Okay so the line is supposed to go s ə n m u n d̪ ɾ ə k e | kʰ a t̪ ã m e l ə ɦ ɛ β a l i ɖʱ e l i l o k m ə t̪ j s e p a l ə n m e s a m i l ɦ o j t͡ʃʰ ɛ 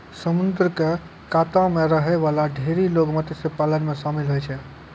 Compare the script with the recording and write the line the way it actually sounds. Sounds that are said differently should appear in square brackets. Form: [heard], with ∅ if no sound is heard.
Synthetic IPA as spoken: s ə [∅] m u n d̪ ɾ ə k e | [k] a t̪ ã m e [ɾ] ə ɦ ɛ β a l [a] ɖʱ e [ɾ] i l o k m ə t̪ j s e p a l ə n m e s a m i l ɦ o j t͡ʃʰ ɛ